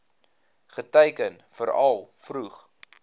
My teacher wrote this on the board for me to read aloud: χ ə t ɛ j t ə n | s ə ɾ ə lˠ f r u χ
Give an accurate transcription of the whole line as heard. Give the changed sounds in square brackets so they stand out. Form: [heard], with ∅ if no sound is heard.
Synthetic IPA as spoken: χ ə t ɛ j [k] ə n | [f] ə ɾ [ɐ] lˠ f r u χ